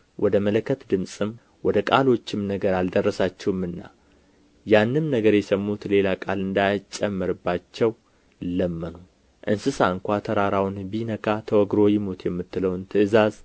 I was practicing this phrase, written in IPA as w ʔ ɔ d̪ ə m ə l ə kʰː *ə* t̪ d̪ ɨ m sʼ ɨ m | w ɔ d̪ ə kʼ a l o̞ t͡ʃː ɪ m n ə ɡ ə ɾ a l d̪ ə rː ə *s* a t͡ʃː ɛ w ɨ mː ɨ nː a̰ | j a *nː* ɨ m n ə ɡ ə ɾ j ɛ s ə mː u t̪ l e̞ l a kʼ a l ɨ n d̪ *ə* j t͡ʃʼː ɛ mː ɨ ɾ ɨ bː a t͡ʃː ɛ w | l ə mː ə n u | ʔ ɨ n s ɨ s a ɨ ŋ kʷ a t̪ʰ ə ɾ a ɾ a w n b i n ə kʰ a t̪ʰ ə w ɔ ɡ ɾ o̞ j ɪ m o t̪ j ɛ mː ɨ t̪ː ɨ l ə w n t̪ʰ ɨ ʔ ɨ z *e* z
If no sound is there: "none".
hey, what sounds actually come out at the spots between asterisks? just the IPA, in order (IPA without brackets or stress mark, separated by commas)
ə, s, nː, a, a